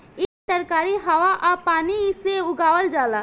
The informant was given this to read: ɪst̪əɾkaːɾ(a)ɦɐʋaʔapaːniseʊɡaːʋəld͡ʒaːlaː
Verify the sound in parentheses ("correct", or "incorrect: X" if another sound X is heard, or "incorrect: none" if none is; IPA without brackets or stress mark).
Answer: incorrect: i